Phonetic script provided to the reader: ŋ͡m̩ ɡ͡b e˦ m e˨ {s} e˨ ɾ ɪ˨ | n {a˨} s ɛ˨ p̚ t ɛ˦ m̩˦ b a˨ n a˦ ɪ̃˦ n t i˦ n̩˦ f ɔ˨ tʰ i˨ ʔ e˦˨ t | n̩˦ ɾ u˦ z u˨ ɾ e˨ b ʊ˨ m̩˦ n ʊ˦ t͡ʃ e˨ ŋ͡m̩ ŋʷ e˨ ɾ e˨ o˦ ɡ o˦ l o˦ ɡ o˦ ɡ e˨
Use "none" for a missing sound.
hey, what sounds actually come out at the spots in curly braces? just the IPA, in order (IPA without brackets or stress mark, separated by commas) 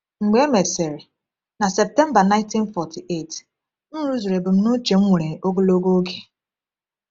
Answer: s, a˨